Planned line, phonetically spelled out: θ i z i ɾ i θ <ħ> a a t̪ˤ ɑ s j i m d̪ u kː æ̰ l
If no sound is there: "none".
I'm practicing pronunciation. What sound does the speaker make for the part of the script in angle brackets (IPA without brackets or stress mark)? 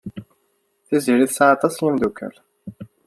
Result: s